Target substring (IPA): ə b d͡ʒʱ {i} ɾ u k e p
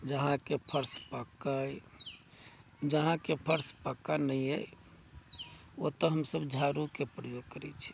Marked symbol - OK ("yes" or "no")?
no